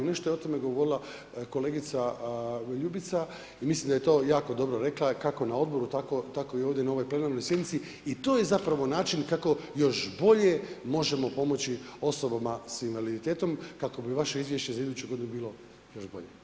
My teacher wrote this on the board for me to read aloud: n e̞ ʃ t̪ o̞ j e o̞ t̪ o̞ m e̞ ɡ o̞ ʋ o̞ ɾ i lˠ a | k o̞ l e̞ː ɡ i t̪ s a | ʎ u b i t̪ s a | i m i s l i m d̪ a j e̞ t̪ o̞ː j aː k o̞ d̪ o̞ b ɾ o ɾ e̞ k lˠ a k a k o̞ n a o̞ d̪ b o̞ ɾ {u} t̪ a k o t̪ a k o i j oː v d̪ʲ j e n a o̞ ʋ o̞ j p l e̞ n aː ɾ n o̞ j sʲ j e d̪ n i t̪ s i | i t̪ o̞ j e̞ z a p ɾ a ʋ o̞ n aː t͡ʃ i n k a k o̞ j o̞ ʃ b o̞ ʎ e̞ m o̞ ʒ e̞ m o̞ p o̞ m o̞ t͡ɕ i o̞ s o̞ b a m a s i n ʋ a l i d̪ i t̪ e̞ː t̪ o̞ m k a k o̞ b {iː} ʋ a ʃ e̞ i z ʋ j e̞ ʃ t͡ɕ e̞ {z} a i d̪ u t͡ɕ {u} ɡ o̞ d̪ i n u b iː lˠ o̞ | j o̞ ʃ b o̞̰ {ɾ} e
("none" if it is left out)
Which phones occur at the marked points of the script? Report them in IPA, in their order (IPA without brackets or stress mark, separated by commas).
u, i, z, u, ʎ